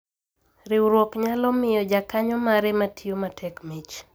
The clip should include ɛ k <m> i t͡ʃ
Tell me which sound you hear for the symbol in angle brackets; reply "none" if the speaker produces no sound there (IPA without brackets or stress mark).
m